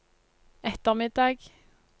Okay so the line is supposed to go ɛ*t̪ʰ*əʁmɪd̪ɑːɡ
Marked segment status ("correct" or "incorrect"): incorrect